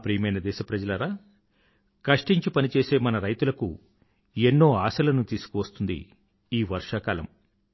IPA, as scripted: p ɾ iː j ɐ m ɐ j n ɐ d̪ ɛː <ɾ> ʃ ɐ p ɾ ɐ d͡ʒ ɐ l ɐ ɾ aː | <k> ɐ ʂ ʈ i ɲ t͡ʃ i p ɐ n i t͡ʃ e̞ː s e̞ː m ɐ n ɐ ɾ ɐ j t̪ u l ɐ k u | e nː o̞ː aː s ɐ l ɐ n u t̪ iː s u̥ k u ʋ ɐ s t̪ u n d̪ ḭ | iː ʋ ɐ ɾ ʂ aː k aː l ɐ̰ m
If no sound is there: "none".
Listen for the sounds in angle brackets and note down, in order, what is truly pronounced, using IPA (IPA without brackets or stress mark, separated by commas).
none, k